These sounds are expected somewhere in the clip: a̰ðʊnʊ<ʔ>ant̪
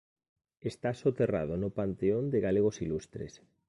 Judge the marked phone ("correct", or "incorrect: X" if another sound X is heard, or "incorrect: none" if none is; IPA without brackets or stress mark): incorrect: p